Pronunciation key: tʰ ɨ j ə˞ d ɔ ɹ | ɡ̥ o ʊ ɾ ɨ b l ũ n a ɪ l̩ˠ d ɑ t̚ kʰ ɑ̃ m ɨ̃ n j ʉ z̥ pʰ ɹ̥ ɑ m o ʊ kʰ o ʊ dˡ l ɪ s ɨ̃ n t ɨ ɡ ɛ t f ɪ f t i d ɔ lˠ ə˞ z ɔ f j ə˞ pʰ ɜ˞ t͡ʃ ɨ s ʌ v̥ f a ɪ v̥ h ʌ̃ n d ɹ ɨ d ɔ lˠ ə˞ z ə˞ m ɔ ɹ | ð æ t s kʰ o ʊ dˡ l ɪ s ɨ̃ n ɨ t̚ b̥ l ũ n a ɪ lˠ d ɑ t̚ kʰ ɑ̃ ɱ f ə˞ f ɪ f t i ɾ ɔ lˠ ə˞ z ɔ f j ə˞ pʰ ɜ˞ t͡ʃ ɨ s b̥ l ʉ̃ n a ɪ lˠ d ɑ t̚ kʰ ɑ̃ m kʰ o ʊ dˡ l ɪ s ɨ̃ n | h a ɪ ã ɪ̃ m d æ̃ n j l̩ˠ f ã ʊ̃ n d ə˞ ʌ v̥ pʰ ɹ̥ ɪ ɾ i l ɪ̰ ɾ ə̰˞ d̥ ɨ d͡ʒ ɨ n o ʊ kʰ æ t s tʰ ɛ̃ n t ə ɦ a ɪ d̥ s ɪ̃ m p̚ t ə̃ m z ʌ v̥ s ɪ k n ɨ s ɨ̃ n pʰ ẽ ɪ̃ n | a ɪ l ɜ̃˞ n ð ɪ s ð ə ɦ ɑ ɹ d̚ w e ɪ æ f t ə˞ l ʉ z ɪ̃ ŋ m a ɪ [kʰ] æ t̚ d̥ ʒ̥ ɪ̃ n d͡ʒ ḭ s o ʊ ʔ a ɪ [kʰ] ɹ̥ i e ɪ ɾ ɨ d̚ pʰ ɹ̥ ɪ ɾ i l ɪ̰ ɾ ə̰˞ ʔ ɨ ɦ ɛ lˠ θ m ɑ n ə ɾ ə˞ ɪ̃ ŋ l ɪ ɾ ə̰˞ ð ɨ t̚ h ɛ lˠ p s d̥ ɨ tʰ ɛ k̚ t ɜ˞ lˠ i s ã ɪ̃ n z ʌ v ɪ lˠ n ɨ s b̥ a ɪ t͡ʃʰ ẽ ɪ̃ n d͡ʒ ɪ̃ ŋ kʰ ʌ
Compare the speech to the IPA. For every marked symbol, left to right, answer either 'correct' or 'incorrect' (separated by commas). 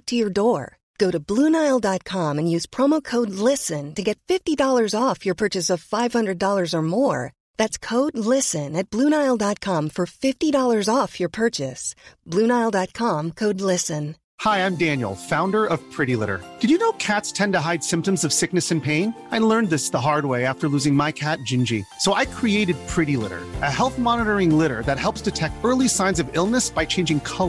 correct, correct